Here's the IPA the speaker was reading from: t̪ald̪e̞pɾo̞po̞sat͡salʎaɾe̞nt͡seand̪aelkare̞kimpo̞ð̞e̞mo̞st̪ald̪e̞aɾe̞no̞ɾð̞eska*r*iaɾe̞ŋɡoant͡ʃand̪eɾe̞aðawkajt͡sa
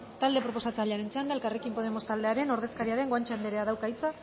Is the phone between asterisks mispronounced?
yes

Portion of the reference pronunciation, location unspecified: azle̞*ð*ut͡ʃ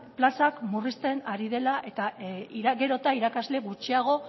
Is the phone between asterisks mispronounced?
yes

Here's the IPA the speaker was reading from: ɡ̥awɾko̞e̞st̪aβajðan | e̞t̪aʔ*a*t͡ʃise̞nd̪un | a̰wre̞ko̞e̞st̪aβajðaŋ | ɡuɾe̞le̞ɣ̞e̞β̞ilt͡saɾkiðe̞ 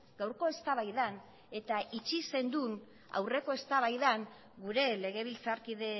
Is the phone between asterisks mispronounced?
yes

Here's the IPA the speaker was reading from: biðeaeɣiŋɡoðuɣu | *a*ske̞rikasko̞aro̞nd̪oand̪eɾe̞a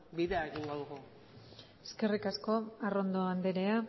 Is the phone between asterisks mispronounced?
yes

